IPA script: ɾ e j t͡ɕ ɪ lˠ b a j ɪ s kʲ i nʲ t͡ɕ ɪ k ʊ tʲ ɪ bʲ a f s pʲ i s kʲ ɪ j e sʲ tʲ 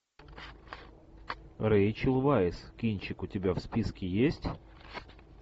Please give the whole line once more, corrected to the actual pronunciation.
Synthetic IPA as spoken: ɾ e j t͡ɕ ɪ lˠ v a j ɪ s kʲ i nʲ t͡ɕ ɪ k ʊ tʲ ɪ bʲ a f s pʲ i s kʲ ɪ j e sʲ tʲ